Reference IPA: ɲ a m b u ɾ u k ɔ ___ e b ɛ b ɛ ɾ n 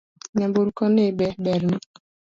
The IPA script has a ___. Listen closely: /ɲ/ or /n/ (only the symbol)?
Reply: n